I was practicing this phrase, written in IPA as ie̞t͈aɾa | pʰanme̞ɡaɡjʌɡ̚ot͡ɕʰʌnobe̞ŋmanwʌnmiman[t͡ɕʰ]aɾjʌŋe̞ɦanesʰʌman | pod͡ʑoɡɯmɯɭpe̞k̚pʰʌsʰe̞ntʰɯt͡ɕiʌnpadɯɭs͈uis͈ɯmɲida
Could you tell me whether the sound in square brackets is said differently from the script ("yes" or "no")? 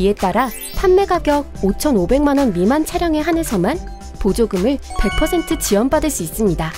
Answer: no